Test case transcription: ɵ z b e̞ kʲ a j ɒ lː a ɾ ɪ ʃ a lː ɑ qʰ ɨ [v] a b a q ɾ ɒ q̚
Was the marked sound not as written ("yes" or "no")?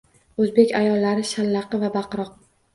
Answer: no